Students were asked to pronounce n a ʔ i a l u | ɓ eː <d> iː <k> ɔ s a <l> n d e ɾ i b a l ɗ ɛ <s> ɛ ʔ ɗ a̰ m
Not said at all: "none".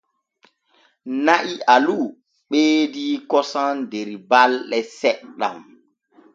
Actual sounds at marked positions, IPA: d, k, none, s

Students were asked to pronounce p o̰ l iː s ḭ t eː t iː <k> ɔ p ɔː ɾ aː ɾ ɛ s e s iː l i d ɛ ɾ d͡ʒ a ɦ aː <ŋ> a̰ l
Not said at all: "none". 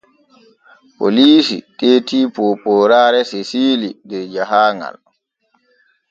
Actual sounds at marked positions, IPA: p, ŋ

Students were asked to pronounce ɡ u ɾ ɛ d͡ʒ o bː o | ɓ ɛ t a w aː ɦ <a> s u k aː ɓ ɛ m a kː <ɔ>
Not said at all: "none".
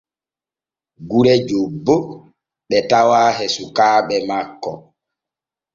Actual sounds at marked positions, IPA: ɛ, ɔ

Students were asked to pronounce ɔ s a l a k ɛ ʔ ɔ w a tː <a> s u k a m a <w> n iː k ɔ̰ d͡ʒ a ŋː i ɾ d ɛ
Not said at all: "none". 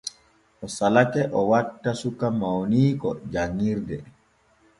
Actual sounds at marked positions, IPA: a, w

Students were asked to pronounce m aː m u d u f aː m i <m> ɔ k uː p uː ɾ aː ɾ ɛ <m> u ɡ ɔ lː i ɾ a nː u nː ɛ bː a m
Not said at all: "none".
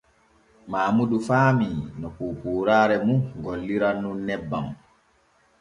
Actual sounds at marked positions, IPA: n, m

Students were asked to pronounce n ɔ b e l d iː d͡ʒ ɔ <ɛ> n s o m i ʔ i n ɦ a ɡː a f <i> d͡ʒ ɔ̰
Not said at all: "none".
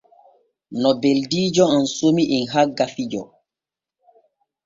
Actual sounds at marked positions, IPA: a, i

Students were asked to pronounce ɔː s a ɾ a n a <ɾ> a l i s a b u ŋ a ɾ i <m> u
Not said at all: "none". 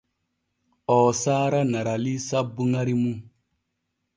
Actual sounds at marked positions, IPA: ɾ, m

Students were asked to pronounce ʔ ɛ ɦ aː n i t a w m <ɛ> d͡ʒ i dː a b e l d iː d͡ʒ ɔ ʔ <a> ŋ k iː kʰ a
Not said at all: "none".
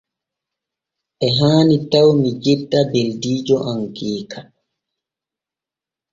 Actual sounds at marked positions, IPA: i, a

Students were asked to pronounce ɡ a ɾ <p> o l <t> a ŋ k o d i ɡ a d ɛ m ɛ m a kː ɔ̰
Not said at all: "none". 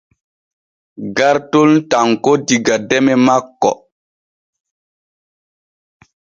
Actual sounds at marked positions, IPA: t, t

